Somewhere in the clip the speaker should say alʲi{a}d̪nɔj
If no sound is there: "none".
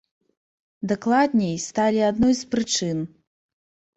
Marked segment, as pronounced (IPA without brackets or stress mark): a